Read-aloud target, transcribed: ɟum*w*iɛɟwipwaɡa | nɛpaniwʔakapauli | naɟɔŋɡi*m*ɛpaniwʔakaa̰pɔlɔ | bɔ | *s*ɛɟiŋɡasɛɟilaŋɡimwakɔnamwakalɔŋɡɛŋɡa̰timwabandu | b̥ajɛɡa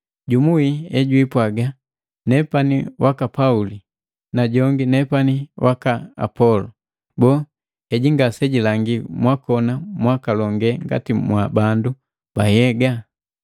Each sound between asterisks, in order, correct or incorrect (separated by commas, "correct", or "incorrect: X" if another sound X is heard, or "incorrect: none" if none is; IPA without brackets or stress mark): incorrect: u, incorrect: n, incorrect: h